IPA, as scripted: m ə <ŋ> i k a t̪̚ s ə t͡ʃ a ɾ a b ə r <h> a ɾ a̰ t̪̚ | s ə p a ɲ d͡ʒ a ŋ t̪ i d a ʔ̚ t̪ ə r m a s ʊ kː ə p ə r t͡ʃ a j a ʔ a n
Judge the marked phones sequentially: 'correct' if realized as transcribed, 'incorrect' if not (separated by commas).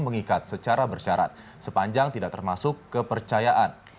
correct, incorrect